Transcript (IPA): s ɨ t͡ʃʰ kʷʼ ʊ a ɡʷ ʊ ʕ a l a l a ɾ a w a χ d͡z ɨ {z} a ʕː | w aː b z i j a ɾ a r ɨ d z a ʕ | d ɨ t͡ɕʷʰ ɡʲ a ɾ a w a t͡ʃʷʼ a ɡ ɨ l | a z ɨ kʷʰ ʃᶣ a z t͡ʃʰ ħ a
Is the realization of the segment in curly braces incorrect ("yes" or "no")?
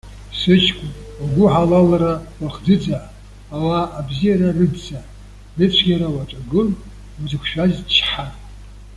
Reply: yes